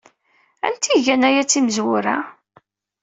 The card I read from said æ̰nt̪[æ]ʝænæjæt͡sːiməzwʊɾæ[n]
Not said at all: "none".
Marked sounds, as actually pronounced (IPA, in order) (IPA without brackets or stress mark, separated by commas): i, none